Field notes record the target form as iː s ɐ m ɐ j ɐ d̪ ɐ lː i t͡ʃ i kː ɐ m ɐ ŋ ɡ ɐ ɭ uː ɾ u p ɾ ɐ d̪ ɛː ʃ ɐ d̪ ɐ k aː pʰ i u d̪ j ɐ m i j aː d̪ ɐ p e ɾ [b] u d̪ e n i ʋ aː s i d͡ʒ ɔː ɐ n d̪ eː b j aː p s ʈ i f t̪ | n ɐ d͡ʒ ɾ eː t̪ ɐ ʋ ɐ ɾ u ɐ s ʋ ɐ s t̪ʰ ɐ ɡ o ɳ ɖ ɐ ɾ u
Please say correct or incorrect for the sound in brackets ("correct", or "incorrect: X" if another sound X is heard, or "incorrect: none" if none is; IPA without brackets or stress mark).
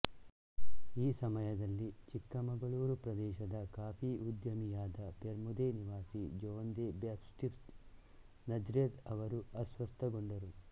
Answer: incorrect: m